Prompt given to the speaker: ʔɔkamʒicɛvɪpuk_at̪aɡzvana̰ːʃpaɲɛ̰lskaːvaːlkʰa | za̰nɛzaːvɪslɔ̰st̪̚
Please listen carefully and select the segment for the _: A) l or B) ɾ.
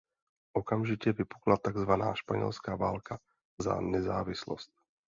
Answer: A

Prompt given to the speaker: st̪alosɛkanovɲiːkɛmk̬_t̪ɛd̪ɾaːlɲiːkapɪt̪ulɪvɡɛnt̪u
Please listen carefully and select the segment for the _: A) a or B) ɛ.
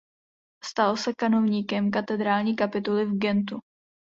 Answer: A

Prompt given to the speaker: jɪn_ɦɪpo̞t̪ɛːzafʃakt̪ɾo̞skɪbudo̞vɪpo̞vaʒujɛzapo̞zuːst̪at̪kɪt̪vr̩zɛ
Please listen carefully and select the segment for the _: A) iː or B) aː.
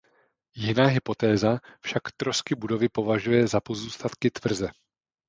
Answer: B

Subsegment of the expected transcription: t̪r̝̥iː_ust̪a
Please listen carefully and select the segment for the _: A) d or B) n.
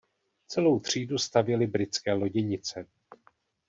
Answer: A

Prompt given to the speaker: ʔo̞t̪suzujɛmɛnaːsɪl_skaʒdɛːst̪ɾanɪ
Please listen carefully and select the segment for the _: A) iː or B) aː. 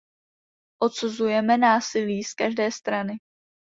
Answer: A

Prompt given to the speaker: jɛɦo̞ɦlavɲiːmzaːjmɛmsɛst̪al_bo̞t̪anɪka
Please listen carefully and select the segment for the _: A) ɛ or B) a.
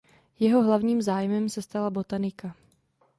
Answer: B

